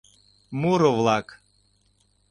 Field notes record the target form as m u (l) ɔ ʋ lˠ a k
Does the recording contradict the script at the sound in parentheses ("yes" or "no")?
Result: yes